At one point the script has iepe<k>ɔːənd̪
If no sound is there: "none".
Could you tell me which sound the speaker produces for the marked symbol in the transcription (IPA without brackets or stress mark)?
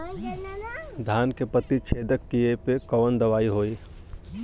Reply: k